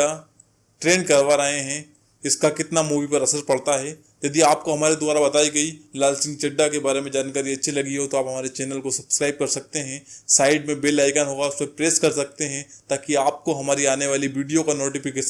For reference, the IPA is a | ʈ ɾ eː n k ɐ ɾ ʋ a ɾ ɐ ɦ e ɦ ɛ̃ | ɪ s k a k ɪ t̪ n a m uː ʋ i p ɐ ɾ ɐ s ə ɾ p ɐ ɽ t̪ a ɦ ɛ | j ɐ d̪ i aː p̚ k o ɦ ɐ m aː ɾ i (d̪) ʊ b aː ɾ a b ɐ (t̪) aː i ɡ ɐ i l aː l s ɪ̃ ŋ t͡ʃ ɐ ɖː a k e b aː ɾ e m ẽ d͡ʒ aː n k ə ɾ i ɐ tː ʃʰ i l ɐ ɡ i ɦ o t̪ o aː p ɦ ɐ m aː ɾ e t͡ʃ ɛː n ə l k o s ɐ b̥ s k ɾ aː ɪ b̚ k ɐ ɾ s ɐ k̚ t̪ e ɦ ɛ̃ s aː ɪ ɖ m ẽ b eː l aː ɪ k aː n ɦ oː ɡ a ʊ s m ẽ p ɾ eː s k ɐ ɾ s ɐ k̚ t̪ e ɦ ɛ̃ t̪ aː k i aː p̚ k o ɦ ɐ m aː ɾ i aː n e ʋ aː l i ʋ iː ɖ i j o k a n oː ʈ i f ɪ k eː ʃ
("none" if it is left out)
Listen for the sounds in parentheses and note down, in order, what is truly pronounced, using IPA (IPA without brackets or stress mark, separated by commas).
d̪, t̪